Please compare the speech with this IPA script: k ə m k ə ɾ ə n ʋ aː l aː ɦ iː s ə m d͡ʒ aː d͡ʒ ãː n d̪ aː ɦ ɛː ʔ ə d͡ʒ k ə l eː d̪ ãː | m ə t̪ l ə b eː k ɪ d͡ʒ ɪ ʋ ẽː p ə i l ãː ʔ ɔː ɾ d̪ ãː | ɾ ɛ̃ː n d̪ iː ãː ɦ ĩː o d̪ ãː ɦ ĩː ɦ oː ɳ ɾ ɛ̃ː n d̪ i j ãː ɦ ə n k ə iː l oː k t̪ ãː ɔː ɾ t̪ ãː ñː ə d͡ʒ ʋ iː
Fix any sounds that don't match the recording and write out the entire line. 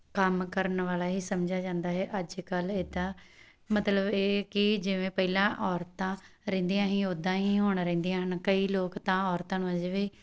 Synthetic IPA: k ə m k ə ɾ ə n ʋ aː l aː ɦ iː s ə m d͡ʒ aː d͡ʒ ãː n d̪ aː ɦ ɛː ʔ ə d͡ʒ k ə l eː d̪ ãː | m ə t̪ l ə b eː k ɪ d͡ʒ ɪ ʋ ẽː p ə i l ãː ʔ ɔː ɾ t̪ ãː | ɾ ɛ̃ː n d̪ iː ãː ɦ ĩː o d̪ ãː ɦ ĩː ɦ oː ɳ ɾ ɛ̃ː n d̪ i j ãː ɦ ə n k ə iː l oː k t̪ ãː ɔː ɾ t̪ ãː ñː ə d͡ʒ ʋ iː